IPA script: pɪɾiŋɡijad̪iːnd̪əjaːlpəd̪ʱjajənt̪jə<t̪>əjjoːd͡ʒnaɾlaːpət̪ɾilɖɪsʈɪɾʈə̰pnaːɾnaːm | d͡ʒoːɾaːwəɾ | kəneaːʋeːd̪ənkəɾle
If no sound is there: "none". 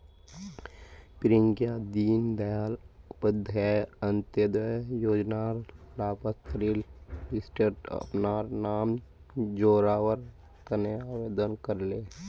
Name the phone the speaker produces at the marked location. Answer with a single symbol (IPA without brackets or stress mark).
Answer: d̪